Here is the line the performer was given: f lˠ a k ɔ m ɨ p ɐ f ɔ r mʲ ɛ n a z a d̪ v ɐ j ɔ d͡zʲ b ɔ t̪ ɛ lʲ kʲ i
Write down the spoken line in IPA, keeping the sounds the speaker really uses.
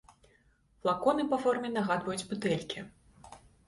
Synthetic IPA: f lˠ a k ɔ n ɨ p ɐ f ɔ r mʲ ɛ n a ɣ a d̪ v ɐ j u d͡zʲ b u t̪ ɛ lʲ kʲ i